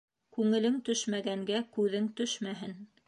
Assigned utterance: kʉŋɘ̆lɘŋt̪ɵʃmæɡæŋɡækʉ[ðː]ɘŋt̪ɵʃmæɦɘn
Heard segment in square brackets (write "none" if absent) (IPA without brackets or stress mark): ð